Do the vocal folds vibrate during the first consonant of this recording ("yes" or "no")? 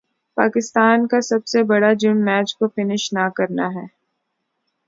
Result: no